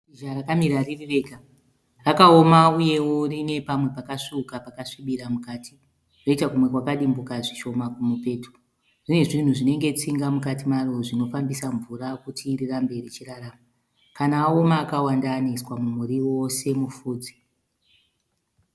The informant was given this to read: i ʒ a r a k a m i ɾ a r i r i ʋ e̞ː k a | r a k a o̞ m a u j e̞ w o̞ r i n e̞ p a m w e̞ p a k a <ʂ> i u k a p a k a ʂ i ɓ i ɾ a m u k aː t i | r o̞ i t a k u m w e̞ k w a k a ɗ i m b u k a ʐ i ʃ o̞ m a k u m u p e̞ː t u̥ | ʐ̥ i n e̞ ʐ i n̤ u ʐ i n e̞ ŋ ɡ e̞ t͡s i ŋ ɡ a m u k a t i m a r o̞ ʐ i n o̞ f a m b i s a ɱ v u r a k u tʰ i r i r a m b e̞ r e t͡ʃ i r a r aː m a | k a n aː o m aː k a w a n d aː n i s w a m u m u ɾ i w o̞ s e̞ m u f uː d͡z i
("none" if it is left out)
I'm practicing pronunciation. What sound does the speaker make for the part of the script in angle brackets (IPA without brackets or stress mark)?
ʂ